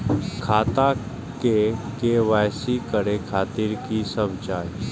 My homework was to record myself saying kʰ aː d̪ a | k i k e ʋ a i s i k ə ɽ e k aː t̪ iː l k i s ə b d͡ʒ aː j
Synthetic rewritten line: kʰ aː t̪ a | k e k e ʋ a j s i k ə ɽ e kʰ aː t̪ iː ɾ k i s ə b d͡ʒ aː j